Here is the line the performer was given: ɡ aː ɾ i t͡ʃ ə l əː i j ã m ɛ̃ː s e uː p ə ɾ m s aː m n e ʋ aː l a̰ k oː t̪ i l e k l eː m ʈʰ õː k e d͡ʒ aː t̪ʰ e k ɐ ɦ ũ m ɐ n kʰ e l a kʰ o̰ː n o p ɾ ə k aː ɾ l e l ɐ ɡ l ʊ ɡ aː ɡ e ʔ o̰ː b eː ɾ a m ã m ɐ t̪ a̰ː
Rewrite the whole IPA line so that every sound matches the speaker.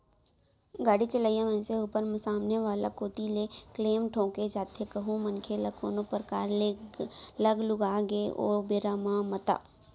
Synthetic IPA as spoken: ɡ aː ɽ i t͡ʃ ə l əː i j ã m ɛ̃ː s e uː p ə ɾ m s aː m n e ʋ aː l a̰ k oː t̪ i l e k l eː m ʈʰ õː k e d͡ʒ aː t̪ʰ e k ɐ ɦ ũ m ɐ n kʰ e l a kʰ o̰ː n o p ɾ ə k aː ɾ l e l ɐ ɡ l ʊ ɡ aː ɡ e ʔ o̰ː b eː ɾ a m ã m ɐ t̪ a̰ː